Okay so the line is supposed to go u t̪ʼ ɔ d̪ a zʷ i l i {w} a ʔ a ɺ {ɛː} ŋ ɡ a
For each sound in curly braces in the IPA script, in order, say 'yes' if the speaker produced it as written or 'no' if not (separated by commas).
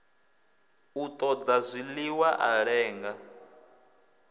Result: yes, yes